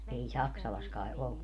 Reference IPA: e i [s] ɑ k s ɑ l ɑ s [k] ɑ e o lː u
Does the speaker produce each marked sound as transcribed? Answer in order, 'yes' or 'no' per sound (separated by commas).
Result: yes, yes